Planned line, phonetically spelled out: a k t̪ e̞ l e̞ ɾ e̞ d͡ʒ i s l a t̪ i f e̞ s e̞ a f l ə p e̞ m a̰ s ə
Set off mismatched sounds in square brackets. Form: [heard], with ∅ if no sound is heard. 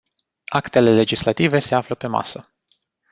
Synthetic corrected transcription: a k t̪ e̞ l e̞ [l] e̞ d͡ʒ i s l a t̪ i [v] e̞ s e̞ a f l ə p e̞ m a̰ s ə